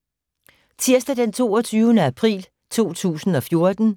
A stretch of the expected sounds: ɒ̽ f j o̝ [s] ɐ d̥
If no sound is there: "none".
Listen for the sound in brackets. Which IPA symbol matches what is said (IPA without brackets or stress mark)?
none